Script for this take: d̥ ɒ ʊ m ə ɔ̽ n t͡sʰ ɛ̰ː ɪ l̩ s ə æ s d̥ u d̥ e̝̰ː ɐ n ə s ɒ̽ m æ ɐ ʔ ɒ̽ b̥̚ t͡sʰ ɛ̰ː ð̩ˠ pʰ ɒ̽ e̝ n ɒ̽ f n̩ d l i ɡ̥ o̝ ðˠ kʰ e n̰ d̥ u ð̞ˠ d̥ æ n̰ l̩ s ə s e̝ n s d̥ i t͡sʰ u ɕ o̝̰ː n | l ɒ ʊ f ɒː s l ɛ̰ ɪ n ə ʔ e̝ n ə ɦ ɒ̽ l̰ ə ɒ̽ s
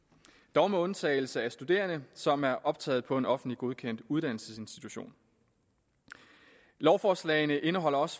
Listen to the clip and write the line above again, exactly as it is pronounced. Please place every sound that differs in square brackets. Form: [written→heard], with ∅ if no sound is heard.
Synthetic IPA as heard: d̥ ɒ ʊ m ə ɔ̽ n t͡sʰ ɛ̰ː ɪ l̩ s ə æ s d̥ u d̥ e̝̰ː ɐ n ə s ɒ̽ m æ ɐ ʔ ɒ̽ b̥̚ t͡sʰ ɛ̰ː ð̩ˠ pʰ ɒ̽ e̝ n ɒ̽ f n̩ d l i ɡ̥ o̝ ðˠ kʰ e n̰ d̥ u ð̞ˠ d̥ æ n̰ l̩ s ə s e̝ n s d̥ i t͡sʰ u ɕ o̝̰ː n | l ɒ ʊ f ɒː s l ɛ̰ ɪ n ə ʔ e̝ n ə ɦ ɒ̽ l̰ [ə→ɐ] ɒ̽ s